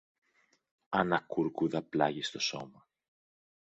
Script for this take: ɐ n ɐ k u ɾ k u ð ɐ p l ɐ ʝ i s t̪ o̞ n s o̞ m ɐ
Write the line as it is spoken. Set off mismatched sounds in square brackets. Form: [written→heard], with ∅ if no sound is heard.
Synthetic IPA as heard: ɐ n ɐ k u ɾ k u ð ɐ p l ɐ ʝ i s t̪ o̞ [n→∅] s o̞ m ɐ